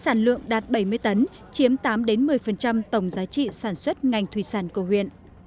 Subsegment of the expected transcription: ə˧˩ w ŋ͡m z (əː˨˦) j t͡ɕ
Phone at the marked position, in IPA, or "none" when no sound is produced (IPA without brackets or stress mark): aː˨˦